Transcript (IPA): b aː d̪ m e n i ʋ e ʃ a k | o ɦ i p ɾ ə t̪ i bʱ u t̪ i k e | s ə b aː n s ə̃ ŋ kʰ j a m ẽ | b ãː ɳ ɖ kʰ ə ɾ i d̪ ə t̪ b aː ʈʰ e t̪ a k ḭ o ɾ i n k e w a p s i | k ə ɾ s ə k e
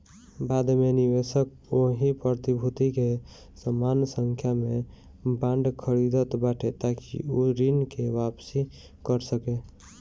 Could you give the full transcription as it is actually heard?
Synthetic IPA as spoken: b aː d̪ m e n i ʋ e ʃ ə k | o ɦ i p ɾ ə t̪ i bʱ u t̪ i k e | s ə m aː n s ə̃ ŋ kʰ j a m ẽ | b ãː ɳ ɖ kʰ ə ɾ i d̪ ə t̪ b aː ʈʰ e t̪ a k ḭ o ɾ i n k e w a p s i | k ə ɾ s ə k e